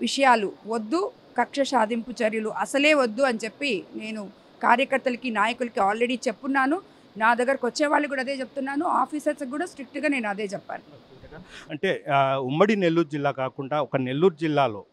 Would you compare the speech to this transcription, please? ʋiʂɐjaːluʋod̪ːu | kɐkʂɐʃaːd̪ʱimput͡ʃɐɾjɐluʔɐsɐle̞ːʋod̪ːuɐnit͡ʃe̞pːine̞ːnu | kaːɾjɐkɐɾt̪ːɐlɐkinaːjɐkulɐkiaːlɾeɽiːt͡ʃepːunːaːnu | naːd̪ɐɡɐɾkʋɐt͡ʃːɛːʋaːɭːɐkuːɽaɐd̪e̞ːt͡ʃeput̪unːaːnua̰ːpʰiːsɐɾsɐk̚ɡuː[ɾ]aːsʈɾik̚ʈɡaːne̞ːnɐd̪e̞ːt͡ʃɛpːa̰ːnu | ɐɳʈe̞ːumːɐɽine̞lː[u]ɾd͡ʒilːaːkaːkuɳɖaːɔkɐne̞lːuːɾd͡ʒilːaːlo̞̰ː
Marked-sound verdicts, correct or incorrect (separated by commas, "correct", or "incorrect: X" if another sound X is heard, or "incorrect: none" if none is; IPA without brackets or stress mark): incorrect: ɽ, incorrect: uː